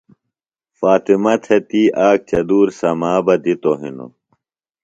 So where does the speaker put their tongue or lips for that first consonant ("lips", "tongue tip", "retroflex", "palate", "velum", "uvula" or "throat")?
lips